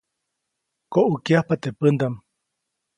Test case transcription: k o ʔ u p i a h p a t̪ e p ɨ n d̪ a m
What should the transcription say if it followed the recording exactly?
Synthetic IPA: k o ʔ u k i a h p a t̪ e p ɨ n d̪ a m